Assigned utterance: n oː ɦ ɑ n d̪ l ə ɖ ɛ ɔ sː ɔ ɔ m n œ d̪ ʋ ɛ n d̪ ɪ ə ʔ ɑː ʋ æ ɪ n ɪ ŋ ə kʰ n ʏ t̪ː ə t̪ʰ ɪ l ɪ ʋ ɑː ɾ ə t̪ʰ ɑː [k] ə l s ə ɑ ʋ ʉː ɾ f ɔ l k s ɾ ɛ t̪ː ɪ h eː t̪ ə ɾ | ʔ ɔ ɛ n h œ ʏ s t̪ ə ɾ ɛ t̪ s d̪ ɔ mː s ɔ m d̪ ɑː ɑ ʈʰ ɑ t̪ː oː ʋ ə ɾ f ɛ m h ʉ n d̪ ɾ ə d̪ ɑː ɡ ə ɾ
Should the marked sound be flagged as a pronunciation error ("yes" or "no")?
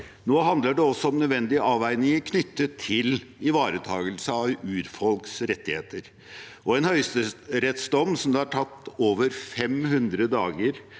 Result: yes